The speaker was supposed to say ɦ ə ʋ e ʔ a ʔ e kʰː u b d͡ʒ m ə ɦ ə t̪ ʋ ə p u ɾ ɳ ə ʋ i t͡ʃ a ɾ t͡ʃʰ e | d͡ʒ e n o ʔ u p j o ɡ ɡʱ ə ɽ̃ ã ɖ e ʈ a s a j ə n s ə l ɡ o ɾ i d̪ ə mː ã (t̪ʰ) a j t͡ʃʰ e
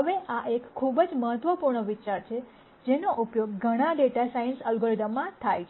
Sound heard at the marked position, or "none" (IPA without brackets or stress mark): t̪ʰ